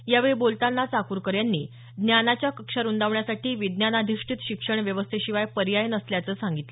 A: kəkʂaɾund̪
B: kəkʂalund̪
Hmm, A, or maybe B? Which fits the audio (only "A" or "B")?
A